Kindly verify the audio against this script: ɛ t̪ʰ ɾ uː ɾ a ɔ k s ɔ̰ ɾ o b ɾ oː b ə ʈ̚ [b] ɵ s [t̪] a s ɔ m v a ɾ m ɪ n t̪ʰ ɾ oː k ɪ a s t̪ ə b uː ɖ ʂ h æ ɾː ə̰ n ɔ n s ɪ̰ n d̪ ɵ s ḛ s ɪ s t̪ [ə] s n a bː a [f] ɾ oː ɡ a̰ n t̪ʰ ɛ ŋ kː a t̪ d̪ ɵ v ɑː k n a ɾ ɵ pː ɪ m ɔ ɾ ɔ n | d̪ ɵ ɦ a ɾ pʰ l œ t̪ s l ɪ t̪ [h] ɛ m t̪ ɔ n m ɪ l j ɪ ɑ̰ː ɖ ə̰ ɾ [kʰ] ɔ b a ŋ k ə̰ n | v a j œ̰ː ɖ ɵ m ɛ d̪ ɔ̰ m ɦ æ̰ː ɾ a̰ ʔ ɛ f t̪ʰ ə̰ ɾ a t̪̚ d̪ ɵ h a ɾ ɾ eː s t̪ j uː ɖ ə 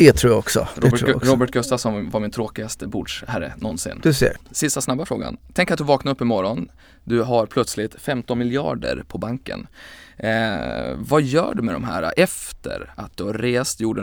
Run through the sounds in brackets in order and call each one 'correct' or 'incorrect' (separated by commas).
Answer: incorrect, correct, incorrect, correct, incorrect, incorrect